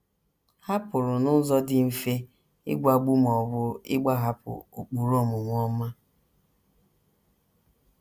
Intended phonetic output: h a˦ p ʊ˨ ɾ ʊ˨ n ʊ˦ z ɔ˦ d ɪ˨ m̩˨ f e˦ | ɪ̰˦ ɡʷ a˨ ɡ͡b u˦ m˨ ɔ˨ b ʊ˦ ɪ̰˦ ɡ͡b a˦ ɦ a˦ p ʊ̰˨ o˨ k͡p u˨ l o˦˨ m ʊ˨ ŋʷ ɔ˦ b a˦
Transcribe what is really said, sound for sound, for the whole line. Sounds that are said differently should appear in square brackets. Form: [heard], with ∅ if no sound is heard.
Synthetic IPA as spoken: h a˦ p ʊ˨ ɾ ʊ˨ n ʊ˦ z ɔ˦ d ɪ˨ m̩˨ f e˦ | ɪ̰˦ ɡʷ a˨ ɡ͡b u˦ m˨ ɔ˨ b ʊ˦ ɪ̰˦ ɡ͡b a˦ ɦ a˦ p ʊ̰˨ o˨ k͡p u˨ [ɾ] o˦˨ m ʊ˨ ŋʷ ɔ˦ [m] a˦